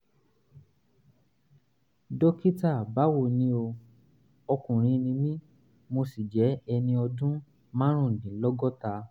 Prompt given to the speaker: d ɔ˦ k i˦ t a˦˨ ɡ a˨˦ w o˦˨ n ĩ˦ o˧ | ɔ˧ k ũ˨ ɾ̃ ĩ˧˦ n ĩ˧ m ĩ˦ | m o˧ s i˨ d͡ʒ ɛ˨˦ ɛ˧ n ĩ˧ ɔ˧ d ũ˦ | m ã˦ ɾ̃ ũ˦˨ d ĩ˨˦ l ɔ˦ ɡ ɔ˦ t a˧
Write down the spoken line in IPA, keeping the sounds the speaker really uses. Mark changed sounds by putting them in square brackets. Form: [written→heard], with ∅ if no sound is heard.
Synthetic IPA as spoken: d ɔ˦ k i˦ t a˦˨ [ɡ→b] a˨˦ w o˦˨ n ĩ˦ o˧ | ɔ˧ k ũ˨ ɾ̃ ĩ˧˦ n ĩ˧ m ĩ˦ | m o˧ s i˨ d͡ʒ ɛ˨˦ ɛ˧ n ĩ˧ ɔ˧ d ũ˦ | m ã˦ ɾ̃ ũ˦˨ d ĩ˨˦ l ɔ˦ ɡ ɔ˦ t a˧

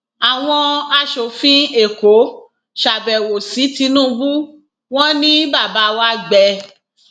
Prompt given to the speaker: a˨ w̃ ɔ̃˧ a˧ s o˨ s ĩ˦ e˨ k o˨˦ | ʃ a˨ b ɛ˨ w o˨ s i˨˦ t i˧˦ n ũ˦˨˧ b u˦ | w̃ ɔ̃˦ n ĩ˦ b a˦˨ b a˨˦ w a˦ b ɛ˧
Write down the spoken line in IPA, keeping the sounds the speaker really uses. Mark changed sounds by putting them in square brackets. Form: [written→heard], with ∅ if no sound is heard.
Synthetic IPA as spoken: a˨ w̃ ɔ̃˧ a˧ [s→ʃ] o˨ [s→f] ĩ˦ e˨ k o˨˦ | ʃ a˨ b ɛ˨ w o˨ s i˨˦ t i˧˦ n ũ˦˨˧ b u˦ | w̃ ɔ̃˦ n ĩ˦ b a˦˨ b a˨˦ w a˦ [b→ɡ͡b] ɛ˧

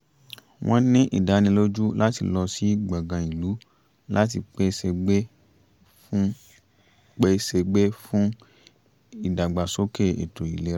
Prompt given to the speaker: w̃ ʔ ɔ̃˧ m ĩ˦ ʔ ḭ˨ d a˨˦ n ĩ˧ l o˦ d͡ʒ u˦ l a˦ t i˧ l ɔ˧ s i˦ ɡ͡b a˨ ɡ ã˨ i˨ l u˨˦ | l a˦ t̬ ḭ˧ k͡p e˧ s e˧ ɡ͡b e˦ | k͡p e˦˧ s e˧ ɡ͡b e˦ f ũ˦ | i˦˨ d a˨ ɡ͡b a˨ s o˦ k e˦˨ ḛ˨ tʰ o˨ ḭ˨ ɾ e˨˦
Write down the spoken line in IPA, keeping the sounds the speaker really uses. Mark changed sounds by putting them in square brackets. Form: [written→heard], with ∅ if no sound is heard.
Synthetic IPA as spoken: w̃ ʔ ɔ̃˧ [m→n] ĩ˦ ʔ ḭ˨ d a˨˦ n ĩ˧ l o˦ d͡ʒ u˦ l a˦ t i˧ l ɔ˧ s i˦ ɡ͡b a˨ ɡ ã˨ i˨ l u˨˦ | l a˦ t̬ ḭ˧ k͡p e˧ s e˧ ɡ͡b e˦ | k͡p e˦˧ s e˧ ɡ͡b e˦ f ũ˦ | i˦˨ d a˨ ɡ͡b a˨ s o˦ k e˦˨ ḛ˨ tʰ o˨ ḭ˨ [ɾ→l] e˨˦

